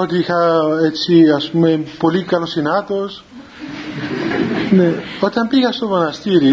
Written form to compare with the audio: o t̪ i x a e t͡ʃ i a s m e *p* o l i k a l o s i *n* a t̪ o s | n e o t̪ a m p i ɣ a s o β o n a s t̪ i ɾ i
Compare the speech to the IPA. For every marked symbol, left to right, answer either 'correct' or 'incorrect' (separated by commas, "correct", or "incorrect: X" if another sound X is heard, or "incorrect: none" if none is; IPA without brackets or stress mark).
correct, correct